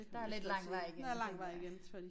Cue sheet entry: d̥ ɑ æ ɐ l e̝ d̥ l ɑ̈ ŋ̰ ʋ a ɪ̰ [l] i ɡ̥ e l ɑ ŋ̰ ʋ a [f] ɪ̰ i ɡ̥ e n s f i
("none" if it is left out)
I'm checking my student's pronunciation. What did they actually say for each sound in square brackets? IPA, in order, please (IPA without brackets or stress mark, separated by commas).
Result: none, none